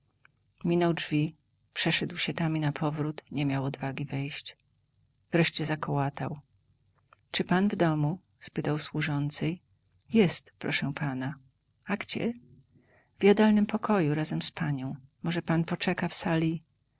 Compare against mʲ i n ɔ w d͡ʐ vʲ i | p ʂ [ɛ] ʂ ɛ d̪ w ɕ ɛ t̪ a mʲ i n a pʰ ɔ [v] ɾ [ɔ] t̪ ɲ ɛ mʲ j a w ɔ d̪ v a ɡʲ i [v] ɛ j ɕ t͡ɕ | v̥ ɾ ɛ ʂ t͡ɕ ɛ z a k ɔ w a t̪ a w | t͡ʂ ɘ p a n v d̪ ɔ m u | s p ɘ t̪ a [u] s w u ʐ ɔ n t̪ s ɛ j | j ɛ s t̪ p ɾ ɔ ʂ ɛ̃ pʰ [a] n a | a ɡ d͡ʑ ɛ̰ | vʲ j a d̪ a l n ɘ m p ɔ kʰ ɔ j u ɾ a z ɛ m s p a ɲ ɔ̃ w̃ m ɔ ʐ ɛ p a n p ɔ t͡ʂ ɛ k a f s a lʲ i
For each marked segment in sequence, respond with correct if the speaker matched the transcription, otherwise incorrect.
correct, correct, incorrect: u, correct, incorrect: w, correct

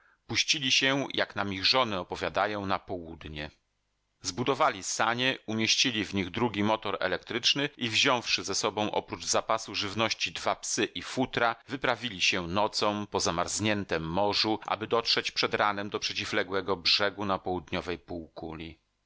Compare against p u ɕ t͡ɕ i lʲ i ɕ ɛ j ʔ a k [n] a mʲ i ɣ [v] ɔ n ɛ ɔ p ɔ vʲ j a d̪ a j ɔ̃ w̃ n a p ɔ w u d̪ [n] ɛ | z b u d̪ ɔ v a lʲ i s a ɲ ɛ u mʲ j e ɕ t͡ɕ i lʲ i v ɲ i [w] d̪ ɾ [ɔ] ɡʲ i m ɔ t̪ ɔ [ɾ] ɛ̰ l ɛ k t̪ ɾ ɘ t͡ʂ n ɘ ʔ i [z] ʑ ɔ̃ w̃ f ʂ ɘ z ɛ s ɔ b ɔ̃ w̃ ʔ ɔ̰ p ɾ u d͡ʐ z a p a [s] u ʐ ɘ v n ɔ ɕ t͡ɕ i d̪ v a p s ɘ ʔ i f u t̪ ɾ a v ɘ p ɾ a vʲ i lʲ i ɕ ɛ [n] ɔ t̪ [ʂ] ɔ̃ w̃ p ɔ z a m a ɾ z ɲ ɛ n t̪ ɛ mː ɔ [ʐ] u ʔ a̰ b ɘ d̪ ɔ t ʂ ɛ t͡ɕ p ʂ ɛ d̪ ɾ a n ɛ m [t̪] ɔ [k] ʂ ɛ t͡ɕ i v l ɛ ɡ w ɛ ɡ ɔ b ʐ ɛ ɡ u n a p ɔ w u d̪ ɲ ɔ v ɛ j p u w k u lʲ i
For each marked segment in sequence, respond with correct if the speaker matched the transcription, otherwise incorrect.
correct, incorrect: ʐ, incorrect: ɲ, incorrect: ɣ, incorrect: u, correct, incorrect: v, correct, correct, incorrect: s, correct, incorrect: d̪, incorrect: p

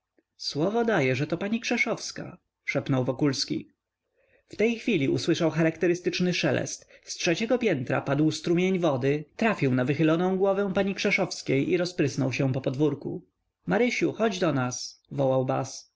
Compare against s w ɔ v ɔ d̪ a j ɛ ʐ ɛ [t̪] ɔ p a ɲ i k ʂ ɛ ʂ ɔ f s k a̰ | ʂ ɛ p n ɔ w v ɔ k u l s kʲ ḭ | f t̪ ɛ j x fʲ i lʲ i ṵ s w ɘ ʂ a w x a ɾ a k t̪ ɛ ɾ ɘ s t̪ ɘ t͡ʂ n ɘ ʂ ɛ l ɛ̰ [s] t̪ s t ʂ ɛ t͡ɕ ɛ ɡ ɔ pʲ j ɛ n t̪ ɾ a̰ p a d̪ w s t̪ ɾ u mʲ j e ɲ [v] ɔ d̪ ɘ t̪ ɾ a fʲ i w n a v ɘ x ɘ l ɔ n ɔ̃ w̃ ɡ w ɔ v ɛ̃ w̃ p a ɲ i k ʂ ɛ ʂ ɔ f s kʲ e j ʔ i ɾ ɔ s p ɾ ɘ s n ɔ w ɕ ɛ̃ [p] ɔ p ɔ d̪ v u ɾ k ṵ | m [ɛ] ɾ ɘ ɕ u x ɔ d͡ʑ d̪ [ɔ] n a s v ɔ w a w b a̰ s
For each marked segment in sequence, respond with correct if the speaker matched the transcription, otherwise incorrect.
correct, correct, correct, correct, incorrect: a, correct

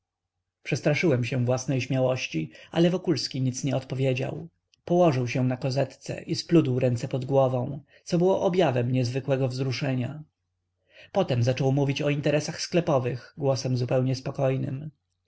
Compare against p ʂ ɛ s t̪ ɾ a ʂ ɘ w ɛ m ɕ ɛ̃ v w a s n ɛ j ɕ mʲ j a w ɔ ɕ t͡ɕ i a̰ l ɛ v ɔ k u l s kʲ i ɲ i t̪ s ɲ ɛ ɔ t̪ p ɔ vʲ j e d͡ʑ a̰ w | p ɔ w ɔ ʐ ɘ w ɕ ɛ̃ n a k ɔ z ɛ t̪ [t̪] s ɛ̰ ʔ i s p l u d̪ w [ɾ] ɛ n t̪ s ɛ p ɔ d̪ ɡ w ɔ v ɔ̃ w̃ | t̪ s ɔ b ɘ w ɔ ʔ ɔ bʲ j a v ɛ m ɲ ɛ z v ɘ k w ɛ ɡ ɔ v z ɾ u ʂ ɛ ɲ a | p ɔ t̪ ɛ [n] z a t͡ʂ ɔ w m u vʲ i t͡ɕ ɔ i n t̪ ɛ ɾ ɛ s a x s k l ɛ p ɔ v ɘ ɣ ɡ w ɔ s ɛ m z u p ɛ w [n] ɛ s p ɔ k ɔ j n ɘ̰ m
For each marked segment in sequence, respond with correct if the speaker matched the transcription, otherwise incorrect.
correct, correct, incorrect: m, incorrect: ɲ

